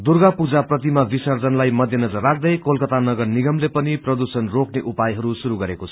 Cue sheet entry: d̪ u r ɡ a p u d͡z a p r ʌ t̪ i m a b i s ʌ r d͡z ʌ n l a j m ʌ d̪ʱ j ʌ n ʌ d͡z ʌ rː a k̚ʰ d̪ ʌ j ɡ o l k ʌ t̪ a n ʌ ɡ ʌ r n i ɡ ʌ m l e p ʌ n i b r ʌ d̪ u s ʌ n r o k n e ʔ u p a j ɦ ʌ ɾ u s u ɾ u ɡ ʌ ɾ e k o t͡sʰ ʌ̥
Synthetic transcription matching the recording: d̪ u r ɡ a p u d͡z a p r ʌ t̪ i m a b i s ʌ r d͡z ʌ n l a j m ʌ d̪ʱ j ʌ n ʌ d͡z ʌ rː a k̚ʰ d̪ ʌ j k o l k ʌ t̪ a n ʌ ɡ ʌ r n i ɡ ʌ m l e p ʌ n i p r ʌ d̪ u s ʌ n r o k n e ʔ u p a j ɦ ʌ ɾ u s u ɾ u ɡ ʌ ɾ e k o t͡sʰ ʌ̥